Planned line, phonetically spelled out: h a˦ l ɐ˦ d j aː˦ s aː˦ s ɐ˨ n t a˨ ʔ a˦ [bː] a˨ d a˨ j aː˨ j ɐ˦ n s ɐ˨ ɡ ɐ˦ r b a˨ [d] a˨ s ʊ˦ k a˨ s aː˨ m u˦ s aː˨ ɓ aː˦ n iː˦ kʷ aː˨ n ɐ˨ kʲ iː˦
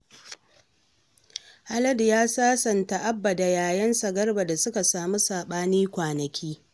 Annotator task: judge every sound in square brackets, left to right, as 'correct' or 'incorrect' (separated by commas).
correct, correct